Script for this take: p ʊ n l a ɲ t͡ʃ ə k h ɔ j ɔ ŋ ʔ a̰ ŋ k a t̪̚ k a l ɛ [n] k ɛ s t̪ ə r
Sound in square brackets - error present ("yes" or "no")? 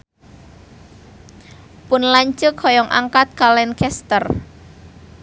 no